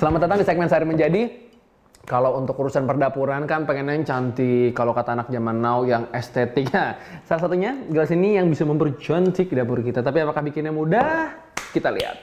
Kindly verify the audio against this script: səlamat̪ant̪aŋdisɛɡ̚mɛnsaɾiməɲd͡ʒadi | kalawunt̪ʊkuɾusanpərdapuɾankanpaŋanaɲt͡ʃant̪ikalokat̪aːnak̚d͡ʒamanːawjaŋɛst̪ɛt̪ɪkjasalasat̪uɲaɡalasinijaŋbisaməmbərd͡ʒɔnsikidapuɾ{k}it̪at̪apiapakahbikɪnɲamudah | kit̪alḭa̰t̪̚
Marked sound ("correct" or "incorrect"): correct